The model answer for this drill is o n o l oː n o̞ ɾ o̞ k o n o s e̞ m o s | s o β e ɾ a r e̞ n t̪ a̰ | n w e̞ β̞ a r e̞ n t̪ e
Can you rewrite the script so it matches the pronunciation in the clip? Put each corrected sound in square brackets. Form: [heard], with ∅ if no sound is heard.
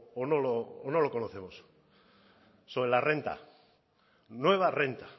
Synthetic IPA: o n o l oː n o̞ [l] o̞ k o n o [θ] e̞ m o s | s o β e [l] a r e̞ n t̪ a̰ | n w e̞ β̞ a r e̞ n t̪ [a]